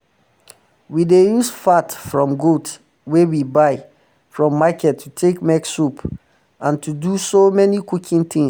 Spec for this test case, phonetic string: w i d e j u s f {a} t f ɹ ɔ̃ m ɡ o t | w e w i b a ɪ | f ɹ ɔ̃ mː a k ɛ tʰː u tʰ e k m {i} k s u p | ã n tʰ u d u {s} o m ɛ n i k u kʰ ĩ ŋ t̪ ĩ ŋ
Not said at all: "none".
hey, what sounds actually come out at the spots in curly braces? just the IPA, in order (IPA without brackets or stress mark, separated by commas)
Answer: a, ɛ, s